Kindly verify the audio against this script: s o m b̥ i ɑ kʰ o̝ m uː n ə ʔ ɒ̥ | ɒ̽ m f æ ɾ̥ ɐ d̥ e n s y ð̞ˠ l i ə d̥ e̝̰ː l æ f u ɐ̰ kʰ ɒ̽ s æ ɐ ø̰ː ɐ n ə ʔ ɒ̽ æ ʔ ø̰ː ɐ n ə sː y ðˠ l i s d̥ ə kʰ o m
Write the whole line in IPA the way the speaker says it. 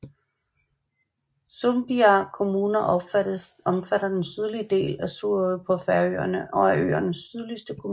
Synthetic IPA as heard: s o m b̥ i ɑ kʰ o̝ m uː n ɐ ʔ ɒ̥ | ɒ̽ m f æ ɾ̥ ɐ d̥ e n s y ð̞ˠ l i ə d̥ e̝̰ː l æ s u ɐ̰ pʰ ɒ̽ f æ ɐ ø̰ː ɐ n ə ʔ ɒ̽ æ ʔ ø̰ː ɐ n ə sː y ðˠ l i s d̥ ə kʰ o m